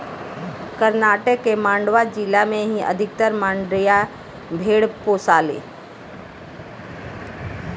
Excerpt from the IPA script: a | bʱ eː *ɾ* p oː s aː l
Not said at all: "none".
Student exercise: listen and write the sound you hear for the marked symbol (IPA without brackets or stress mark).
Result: ɽ